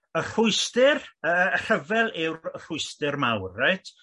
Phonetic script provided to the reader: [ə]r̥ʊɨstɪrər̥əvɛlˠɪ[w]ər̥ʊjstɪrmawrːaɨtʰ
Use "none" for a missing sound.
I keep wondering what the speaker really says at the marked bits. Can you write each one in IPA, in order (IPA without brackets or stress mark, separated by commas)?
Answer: ə, w